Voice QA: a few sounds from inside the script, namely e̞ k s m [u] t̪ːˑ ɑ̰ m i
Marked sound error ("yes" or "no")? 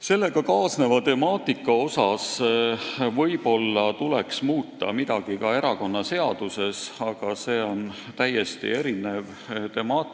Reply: yes